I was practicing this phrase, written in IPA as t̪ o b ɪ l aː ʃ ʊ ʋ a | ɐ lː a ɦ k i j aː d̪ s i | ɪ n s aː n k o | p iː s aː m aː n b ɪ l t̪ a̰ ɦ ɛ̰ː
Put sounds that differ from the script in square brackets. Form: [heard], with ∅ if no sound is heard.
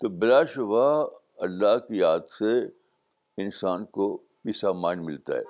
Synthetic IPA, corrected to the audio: t̪ o b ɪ l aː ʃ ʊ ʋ a | ɐ lː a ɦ k i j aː d̪ s [e] | ɪ n s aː n k o | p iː s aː m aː n [m] ɪ l t̪ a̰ ɦ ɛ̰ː